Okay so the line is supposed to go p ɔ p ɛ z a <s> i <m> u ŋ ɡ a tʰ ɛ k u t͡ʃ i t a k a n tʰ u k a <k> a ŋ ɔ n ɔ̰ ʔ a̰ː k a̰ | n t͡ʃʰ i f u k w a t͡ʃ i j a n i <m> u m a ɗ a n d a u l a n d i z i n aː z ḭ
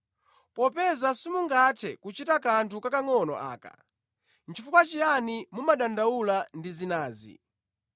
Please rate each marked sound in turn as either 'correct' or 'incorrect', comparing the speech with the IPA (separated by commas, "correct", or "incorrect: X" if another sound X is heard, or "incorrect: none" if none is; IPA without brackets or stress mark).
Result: correct, correct, correct, correct